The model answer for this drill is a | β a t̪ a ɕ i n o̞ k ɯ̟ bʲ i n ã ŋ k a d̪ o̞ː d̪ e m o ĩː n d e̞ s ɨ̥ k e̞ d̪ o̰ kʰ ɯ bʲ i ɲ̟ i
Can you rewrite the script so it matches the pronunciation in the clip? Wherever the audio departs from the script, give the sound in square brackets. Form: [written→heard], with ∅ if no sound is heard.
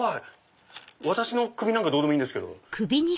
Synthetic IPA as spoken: a | β a t̪ a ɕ i n o̞ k ɯ̟ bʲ i n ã ŋ k a d̪ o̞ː d̪ e m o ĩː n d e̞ s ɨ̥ k e̞ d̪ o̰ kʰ ɯ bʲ i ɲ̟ i